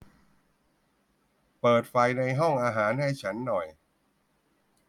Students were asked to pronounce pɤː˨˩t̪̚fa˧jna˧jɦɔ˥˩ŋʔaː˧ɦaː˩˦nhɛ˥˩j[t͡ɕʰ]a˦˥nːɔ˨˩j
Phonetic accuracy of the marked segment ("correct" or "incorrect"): correct